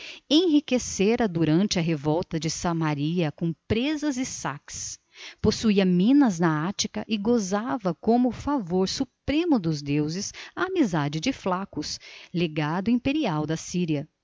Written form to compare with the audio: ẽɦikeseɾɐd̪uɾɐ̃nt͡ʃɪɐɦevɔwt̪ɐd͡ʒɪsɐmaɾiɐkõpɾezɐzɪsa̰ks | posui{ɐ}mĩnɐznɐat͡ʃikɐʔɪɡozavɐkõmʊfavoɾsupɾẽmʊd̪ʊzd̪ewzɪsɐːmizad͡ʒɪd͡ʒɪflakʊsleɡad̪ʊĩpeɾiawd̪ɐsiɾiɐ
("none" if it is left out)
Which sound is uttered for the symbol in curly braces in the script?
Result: ɐ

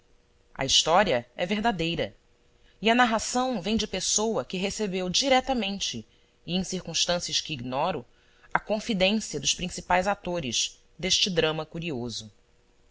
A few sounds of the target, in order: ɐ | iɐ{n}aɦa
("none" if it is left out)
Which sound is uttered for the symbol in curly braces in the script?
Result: n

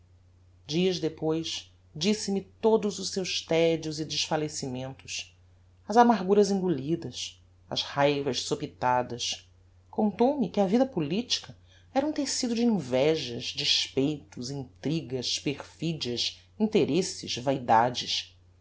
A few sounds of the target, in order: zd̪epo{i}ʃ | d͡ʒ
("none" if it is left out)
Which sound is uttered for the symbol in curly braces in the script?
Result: j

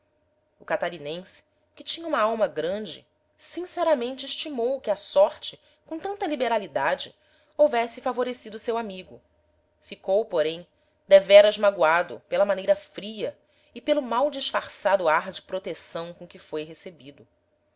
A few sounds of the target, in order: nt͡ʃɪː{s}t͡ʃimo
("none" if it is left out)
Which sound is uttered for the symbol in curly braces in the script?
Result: ʃ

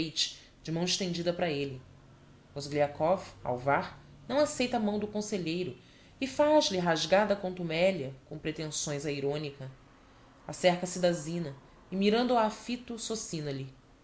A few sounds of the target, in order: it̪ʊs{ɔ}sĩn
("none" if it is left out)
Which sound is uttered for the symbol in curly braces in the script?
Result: o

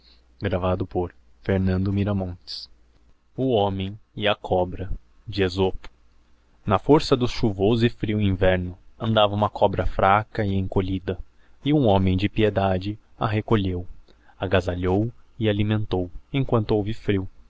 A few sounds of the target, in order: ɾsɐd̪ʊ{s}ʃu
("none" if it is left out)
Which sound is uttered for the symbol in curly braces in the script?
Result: s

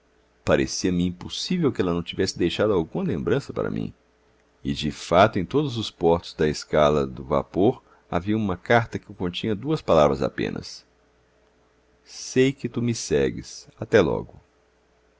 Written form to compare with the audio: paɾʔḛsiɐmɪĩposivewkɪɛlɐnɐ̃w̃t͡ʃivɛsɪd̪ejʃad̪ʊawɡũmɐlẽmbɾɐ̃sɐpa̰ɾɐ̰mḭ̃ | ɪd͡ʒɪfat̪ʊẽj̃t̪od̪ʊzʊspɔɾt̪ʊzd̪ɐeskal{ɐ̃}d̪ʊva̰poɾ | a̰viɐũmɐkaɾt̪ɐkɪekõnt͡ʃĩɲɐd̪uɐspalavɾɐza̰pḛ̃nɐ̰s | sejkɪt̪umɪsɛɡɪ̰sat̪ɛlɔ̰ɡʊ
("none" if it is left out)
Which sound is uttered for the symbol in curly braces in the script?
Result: ɐ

